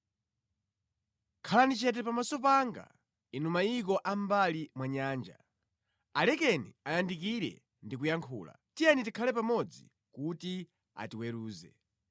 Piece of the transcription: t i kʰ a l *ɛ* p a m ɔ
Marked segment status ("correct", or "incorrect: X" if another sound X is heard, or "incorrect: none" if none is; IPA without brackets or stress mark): correct